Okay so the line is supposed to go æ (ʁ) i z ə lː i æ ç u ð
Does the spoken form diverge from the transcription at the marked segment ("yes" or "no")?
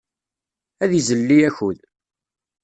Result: yes